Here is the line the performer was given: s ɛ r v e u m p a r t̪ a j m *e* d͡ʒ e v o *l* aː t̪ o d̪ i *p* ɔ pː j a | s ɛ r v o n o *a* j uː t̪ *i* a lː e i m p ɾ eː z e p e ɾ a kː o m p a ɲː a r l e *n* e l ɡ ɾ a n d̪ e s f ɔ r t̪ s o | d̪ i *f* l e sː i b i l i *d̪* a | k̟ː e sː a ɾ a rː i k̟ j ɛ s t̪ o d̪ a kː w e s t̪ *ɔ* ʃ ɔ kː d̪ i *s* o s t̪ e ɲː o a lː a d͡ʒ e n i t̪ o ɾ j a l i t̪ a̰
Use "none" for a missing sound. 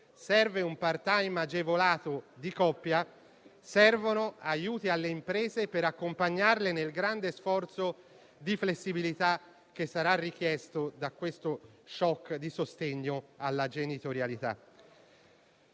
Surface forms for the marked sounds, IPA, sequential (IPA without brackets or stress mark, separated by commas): a, l, k, a, i, n, f, t̪, o, s